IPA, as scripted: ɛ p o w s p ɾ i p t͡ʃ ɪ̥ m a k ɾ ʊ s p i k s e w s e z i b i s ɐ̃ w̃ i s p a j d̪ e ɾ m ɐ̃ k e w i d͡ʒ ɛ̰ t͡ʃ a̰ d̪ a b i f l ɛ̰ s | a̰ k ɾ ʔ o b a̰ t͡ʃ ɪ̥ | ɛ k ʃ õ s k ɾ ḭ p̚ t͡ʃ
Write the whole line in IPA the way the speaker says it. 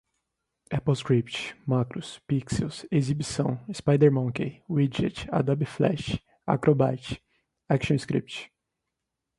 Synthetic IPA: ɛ p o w s k ɾ i p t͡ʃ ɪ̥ m a k ɾ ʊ s p i k s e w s e z i b i s ɐ̃ w̃ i s p a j d̪ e ɾ m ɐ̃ k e w i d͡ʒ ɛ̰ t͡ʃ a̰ d̪ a b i f l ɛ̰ ʃ | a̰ k ɾ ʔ o b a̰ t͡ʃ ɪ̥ | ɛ k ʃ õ s k ɾ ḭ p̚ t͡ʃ